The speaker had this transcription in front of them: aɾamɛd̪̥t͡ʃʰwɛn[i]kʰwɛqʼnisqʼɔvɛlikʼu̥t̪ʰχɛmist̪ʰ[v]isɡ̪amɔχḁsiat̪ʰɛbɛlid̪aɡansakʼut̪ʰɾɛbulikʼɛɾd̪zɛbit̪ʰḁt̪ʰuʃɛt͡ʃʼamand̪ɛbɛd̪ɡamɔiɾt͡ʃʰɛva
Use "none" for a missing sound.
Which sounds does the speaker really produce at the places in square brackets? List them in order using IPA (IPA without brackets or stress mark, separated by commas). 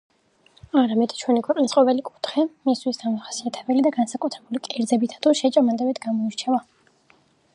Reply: i, w